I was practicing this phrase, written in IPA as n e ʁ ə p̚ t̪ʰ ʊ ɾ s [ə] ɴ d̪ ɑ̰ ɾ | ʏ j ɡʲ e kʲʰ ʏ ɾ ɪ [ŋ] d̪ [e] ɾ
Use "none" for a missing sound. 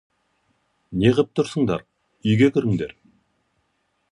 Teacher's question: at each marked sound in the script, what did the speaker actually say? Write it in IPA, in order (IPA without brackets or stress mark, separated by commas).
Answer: ə, ŋ, e